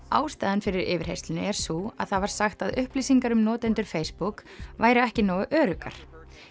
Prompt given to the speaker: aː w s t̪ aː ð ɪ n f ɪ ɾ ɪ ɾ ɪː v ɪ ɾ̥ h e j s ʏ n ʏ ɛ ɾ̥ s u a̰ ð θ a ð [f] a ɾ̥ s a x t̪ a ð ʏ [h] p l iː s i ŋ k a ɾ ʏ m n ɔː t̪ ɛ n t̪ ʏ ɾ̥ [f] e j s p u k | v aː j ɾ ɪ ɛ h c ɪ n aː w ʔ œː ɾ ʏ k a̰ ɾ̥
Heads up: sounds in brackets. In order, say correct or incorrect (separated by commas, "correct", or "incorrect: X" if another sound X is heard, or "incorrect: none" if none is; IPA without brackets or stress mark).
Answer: incorrect: v, correct, correct